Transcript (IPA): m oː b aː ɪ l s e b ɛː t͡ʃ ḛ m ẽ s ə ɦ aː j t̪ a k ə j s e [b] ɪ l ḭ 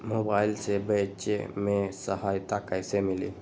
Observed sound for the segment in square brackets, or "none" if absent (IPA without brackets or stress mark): m